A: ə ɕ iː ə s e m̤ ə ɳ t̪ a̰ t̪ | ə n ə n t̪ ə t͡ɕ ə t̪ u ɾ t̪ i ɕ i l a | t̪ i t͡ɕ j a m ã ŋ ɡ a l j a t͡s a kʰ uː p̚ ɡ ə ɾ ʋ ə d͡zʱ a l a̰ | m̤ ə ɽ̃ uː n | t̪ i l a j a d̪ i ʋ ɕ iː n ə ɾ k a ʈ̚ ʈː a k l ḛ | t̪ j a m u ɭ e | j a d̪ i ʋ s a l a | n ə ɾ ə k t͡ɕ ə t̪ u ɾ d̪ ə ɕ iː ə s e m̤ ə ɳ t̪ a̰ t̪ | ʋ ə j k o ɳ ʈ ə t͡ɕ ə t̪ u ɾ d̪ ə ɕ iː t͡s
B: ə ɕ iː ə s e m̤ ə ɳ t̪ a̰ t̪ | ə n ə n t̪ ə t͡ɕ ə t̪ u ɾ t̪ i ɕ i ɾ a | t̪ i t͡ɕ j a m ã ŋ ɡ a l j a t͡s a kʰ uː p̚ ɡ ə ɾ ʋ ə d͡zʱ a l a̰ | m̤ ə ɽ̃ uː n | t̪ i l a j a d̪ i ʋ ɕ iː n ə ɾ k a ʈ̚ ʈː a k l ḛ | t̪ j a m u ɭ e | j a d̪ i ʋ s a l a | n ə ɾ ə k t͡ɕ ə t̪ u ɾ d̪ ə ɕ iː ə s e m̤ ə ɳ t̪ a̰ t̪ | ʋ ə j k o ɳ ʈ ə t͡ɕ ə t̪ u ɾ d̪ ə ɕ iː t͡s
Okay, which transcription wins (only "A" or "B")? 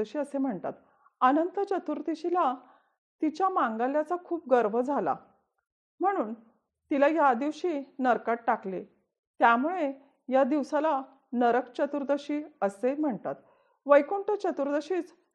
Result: A